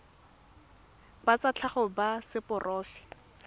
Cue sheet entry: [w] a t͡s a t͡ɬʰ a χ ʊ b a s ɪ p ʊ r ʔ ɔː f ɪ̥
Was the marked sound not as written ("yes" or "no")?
yes